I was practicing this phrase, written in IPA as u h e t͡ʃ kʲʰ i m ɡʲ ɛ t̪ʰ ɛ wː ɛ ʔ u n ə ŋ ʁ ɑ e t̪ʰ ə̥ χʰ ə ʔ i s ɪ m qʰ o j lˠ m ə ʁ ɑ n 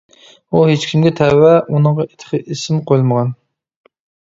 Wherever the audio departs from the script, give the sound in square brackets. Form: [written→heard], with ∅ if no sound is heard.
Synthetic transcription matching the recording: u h e t͡ʃ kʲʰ i m ɡʲ ɛ t̪ʰ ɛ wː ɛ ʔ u n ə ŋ ʁ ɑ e t̪ʰ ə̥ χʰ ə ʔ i s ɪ m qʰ o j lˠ m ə ʁ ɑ n